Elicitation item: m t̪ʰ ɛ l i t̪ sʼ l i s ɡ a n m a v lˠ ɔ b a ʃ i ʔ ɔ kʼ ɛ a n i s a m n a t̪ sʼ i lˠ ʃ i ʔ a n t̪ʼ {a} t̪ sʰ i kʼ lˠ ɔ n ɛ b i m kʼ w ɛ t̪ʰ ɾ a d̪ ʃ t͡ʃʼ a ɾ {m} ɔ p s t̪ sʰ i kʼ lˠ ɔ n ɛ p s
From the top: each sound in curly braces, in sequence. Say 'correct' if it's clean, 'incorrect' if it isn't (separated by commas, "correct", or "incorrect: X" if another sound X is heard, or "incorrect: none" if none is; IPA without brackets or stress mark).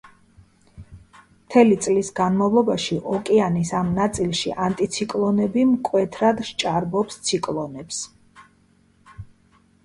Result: incorrect: i, incorrect: b